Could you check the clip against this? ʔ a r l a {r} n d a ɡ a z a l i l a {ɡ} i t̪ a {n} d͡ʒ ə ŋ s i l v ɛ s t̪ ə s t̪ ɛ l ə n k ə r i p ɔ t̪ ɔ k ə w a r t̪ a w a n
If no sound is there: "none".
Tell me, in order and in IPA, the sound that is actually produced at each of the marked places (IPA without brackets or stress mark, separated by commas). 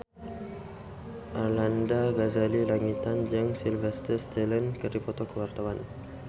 none, ŋ, n